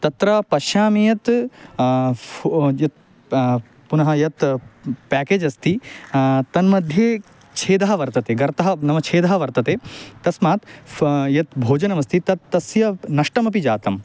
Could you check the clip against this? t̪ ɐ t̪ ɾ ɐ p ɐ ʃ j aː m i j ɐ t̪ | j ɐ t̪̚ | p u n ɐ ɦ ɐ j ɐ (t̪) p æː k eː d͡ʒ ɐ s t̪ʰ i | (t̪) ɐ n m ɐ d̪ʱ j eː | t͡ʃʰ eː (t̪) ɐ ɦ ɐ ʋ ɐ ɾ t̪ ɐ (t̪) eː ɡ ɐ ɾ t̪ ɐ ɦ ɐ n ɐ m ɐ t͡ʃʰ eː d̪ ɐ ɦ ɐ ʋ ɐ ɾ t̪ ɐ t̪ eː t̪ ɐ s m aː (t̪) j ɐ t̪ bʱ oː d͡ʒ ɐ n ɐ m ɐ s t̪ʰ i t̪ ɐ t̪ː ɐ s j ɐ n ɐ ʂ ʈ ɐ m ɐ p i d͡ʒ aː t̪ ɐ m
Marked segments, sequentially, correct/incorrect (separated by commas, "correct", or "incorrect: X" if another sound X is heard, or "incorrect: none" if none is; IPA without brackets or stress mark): correct, correct, incorrect: d̪, correct, correct